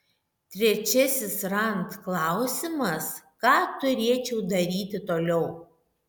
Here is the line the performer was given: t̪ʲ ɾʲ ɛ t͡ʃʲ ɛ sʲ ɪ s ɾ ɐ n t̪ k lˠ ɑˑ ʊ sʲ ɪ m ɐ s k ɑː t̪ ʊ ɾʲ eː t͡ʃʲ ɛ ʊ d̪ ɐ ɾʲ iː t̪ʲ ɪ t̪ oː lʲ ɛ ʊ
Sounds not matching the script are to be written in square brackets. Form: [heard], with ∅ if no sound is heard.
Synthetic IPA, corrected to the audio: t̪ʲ ɾʲ ɛ t͡ʃʲ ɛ sʲ ɪ s ɾ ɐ n t̪ k lˠ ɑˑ ʊ sʲ ɪ m ɐ s k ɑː t̪ ʊ ɾʲ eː t͡ʃʲ ɛ ʊ d̪ ɐ ɾʲ iː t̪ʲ ɪ t̪ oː lʲ ɛ ʊ